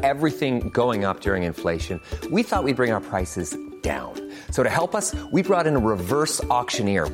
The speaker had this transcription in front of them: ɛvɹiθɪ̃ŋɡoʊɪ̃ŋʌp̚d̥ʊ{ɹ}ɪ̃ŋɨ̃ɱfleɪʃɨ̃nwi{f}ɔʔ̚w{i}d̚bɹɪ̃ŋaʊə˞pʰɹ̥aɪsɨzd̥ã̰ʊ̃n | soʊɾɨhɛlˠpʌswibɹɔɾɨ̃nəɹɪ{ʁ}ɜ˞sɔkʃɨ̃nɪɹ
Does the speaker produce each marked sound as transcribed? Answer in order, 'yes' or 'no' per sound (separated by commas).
yes, no, yes, no